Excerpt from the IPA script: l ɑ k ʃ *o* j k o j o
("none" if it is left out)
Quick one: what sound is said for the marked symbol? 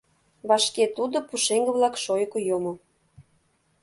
o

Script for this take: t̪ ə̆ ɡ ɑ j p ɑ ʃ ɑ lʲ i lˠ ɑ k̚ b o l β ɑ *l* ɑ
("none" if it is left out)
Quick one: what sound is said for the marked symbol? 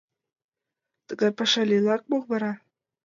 ɾ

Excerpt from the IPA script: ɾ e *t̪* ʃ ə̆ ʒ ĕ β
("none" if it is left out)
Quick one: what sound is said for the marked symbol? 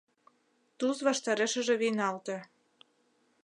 none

